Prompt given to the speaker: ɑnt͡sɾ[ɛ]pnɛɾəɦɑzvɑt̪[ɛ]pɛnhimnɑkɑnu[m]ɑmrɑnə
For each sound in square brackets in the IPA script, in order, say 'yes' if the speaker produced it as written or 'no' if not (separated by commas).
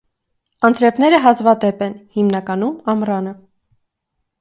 yes, yes, yes